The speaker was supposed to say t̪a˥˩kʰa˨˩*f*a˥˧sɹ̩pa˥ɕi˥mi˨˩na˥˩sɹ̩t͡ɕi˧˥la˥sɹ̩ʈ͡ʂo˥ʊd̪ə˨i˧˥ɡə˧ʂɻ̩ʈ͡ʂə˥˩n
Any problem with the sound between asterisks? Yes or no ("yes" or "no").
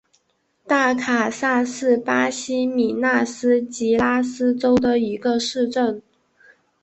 yes